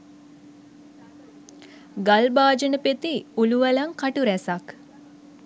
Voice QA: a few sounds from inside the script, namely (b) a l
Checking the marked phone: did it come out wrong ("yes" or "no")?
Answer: yes